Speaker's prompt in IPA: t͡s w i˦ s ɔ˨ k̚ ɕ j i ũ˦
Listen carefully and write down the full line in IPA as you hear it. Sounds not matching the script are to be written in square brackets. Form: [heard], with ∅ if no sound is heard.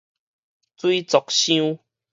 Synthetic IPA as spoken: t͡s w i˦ [t͡s] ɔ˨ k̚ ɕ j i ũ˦